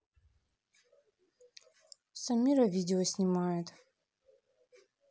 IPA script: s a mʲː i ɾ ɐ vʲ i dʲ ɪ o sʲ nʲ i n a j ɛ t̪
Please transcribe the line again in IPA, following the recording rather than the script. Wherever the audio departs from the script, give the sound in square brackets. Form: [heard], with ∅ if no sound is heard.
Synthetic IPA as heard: s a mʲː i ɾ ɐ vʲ i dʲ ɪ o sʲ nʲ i [m] a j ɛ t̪